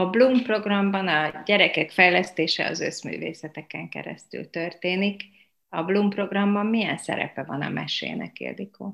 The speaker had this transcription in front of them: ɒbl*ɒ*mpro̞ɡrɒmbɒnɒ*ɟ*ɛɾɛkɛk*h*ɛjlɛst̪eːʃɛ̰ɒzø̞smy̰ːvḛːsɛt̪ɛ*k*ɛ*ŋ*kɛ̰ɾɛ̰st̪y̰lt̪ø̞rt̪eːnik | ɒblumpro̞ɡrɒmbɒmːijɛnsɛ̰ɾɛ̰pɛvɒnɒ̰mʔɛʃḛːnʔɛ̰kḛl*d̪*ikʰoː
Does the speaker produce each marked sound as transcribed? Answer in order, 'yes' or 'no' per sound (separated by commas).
no, yes, no, yes, yes, yes